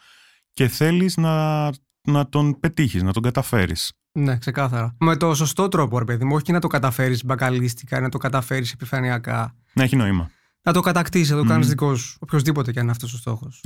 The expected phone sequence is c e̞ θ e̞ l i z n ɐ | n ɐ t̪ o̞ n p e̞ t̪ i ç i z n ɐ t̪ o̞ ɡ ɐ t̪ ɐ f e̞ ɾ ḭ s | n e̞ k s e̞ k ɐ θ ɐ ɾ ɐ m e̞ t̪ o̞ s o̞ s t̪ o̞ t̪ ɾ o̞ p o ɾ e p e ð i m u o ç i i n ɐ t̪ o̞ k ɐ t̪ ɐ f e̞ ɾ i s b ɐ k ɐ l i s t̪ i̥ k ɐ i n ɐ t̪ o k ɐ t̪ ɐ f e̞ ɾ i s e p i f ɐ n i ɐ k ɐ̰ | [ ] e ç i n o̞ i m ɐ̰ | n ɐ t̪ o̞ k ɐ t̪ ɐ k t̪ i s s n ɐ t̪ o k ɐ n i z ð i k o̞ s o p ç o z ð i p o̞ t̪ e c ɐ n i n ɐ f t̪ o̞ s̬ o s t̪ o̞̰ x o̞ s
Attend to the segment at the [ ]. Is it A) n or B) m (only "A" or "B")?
A